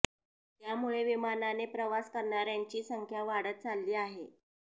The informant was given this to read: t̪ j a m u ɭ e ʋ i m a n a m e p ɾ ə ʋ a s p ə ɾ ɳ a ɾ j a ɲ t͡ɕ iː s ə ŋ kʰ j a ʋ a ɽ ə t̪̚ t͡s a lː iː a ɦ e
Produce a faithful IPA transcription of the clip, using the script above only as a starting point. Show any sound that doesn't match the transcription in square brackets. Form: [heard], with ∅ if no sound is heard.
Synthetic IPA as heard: t̪ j a m u ɭ e ʋ i m a n a [n] e p ɾ ə ʋ a s [k] ə ɾ ɳ a ɾ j a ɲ t͡ɕ iː s ə ŋ kʰ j a ʋ a ɽ ə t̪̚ t͡s a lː iː a ɦ e